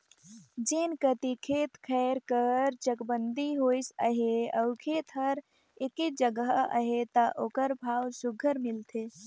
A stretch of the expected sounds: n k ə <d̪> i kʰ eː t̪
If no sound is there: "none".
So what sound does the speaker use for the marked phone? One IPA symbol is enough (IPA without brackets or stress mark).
t̪